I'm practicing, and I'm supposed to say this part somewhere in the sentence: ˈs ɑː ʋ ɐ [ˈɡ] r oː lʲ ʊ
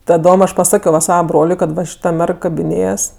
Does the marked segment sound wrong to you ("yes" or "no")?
yes